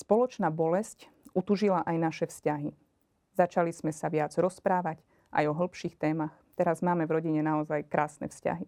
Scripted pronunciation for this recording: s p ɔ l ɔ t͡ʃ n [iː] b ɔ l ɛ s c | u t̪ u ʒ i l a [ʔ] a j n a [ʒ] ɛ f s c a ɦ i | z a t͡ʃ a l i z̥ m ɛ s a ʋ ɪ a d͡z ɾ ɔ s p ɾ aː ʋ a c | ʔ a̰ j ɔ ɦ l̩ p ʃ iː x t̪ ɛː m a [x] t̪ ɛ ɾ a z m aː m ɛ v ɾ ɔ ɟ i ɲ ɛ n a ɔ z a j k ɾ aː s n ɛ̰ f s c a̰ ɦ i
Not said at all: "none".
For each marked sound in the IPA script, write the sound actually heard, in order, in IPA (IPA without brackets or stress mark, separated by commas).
aː, ʔ, ʃ, x